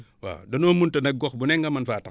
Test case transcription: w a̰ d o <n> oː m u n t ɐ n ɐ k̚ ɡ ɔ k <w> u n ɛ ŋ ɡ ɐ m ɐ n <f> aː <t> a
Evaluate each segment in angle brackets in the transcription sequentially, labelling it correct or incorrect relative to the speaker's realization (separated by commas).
correct, incorrect, correct, correct